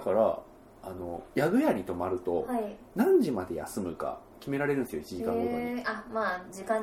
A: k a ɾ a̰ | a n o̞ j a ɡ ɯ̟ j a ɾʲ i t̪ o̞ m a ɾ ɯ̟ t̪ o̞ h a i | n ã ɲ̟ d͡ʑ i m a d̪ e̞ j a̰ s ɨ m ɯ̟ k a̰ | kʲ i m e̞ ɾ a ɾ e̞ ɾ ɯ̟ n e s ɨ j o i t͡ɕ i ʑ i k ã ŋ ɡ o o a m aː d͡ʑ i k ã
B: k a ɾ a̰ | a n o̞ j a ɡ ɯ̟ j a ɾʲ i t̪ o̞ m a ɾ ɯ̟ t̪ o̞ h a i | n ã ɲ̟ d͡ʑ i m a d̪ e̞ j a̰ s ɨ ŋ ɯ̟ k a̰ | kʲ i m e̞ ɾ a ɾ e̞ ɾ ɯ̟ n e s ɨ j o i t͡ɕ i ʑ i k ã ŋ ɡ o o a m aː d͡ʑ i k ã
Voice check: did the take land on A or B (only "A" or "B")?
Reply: A